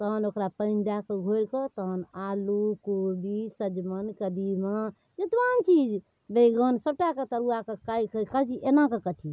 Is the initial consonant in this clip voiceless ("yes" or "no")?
yes